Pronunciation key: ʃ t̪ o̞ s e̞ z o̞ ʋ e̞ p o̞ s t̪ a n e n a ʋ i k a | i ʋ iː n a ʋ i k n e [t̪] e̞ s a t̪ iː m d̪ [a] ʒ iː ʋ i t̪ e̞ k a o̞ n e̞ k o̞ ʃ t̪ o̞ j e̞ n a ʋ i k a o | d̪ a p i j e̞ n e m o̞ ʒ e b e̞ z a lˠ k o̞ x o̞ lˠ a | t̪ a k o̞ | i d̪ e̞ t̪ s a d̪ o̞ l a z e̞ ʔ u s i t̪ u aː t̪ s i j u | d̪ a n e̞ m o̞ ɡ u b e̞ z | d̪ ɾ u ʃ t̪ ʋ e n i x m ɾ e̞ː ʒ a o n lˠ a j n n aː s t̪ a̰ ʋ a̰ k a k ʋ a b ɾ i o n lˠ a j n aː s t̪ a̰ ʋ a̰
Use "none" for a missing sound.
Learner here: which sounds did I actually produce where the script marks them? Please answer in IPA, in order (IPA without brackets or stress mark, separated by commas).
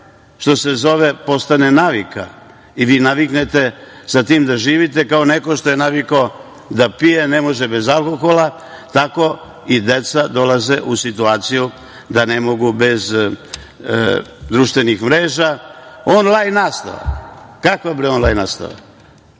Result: t̪, a